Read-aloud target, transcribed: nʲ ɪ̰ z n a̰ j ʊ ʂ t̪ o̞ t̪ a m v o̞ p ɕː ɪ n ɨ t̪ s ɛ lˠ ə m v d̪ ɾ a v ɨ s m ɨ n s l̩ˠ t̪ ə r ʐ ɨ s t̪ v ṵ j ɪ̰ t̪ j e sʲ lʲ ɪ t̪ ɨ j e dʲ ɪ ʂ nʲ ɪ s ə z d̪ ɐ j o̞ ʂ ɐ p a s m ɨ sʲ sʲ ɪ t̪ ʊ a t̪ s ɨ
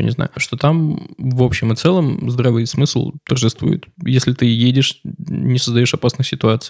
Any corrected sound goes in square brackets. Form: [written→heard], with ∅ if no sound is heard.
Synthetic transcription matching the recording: nʲ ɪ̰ z n a̰ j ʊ ʂ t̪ o̞ t̪ a m v o̞ p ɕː ɪ [n→m] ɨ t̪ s ɛ lˠ ə m [v→z] d̪ ɾ a v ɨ s m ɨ [n→∅] s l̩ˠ t̪ ə r ʐ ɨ s t̪ v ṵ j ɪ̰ t̪ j e sʲ lʲ ɪ t̪ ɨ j e dʲ ɪ ʂ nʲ ɪ s ə z d̪ ɐ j o̞ ʂ ɐ p a s [m→n] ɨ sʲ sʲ ɪ t̪ ʊ a t̪ s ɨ